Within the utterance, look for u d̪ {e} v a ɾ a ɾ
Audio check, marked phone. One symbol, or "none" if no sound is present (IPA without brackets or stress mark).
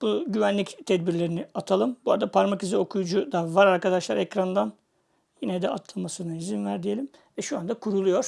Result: a